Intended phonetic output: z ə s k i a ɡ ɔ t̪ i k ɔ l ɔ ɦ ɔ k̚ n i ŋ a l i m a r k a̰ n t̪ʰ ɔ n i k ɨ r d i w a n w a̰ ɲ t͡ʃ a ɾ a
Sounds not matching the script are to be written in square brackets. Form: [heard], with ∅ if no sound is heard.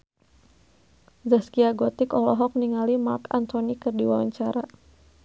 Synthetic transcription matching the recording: z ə s k i a ɡ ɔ t̪ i k ɔ l ɔ ɦ ɔ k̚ n i ŋ a l i m a r k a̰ n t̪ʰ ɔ n i k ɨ r d i w a [∅] w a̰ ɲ t͡ʃ a ɾ a